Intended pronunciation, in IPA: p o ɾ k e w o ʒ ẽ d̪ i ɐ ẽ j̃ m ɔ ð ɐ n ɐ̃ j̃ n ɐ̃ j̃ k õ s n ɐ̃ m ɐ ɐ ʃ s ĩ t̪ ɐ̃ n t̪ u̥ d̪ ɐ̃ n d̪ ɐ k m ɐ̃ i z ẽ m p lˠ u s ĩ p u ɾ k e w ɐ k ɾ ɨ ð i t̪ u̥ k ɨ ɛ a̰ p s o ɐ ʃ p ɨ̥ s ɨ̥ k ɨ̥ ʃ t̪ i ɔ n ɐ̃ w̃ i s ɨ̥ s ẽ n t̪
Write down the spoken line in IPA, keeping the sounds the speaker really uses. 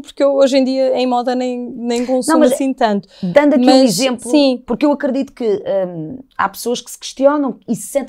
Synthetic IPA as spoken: p u ɾ k e w o ʒ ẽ d̪ i ɐ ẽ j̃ m ɔ ð ɐ n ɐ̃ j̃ n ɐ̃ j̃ k õ s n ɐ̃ m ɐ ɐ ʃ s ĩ t̪ ɐ̃ n t̪ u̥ d̪ ɐ̃ n d̪ ɐ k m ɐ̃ i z ẽ m p lˠ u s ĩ p u ɾ k e w ɐ k ɾ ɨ ð i t̪ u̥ k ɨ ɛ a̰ p s o ɐ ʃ k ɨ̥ s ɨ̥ k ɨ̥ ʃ t̪ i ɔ n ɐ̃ w̃ i s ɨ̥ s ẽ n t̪

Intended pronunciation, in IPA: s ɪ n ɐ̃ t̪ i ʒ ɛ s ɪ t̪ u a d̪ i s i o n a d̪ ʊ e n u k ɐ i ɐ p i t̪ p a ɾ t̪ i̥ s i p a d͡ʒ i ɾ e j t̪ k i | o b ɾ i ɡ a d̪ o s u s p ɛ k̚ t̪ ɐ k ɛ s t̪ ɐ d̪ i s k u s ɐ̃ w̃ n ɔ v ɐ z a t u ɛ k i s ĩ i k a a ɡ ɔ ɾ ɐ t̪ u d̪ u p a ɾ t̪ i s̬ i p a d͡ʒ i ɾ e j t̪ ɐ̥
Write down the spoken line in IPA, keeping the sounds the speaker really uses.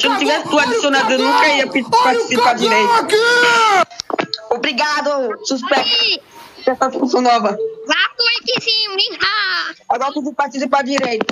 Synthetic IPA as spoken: s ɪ n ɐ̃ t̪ i v ɛ s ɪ t̪ u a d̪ i s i o n a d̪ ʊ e n ũ k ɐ i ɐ p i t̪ p a ɾ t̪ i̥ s i p a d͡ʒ i ɾ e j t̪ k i | o b ɾ i ɡ a d̪ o s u s p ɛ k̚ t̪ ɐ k ɛ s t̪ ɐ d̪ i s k u s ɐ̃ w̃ n ɔ v ɐ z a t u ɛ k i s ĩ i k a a ɡ ɔ ɾ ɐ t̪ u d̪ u p a ɾ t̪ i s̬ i p a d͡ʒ i ɾ e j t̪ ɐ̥

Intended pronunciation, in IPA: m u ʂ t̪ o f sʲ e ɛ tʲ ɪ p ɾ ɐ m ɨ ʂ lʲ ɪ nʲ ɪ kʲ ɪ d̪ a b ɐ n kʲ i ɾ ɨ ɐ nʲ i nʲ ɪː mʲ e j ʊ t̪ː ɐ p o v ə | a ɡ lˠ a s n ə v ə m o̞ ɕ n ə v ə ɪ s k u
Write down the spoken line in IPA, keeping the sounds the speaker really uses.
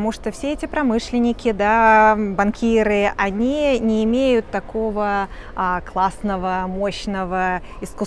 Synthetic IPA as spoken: m u ʂ t̪ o f sʲ e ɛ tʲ ɪ p ɾ ɐ m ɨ ʂ lʲ ɪ nʲ ɪ kʲ ɪ d̪ a b ɐ n kʲ i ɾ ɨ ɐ nʲ i nʲ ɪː mʲ e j ʊ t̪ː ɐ k o v ə | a k lˠ a s n ə v ə m o̞ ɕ n ə v ə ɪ s k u

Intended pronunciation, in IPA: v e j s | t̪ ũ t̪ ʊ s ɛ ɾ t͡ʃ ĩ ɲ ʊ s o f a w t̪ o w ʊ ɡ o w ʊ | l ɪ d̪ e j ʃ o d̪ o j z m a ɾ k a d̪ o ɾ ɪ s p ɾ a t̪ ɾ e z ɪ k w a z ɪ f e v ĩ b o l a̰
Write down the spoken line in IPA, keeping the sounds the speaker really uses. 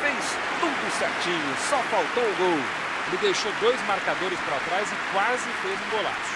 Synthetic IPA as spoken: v e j s | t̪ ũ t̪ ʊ s ɛ ɾ t͡ʃ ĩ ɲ ʊ s ɔ f a w t̪ o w ʊ ɡ o w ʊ | l ɪ d̪ e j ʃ o d̪ o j z m a ɾ k a d̪ o ɾ ɪ s p ɾ a t̪ ɾ a z ɪ k w a z ɪ f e z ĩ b o l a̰

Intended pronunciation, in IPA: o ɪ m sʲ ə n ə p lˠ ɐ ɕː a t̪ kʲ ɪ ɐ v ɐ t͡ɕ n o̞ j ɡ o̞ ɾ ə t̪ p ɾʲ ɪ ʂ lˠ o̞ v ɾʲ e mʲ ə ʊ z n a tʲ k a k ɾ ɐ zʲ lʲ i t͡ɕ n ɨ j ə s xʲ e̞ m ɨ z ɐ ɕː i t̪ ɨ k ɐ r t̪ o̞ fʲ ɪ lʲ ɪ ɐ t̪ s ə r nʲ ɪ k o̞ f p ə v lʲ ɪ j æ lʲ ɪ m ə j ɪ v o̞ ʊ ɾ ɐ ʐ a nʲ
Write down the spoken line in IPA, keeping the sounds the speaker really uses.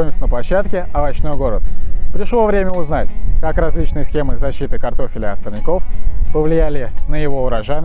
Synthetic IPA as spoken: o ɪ m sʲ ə n ə p lˠ ɐ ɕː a t̪ kʲ ɪ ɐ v ɐ t͡ɕ n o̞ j ɡ o̞ ɾ ə t̪ p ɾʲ ɪ ʂ lˠ o̞ v ɾʲ e mʲ ə ʊ z n a tʲ k a k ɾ ɐ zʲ lʲ i t͡ɕ n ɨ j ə s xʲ e̞ m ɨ z ɐ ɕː i t̪ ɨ k ɐ r t̪ o̞ fʲ ɪ lʲ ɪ ɐ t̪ s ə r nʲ ɪ k o̞ f p ə v lʲ ɪ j æ lʲ ɪ n ə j ɪ v o̞ ʊ ɾ ɐ ʐ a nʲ

